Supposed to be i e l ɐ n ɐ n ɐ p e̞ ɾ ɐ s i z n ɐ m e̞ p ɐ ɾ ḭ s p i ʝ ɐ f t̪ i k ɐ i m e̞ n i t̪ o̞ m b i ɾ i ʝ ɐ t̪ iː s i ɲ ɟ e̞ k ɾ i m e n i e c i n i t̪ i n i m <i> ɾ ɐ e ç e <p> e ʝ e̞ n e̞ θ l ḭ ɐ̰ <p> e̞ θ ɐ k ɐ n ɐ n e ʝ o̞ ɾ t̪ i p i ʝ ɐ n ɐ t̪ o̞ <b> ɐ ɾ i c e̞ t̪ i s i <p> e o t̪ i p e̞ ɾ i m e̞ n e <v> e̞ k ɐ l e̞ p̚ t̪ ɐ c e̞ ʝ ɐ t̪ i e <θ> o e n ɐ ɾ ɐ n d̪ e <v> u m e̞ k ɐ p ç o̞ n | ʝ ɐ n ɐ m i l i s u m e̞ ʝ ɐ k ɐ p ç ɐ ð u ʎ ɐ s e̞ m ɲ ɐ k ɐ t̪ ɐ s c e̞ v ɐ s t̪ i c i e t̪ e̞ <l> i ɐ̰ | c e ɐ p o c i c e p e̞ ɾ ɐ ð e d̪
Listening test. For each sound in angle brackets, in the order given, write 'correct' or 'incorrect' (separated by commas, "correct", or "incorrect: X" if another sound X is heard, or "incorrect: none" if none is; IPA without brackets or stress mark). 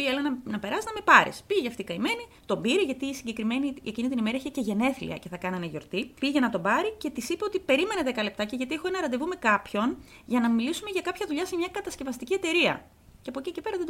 incorrect: e, incorrect: c, incorrect: c, correct, correct, incorrect: ð, incorrect: x, correct, incorrect: ɾ